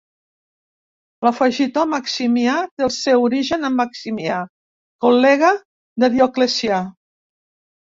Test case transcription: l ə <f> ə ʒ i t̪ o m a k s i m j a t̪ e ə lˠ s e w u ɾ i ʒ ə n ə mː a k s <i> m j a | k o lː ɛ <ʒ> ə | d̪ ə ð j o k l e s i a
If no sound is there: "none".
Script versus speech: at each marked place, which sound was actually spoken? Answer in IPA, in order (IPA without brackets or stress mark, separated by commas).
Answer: f, i, ɣ